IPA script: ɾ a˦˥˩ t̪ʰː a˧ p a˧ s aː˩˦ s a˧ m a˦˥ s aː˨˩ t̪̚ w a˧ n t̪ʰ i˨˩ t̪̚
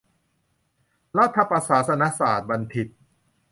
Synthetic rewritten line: ɾ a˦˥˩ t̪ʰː a˧ p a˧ s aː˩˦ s a˧ n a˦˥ s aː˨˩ t̪̚ b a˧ n t̪ʰ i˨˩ t̪̚